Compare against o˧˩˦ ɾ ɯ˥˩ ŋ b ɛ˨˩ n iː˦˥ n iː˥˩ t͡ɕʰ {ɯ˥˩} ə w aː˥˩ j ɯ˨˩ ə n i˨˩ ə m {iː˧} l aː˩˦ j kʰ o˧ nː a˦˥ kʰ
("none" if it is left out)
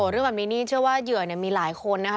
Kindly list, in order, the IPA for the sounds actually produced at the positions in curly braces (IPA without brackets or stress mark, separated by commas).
ɯ˥˩, iː˧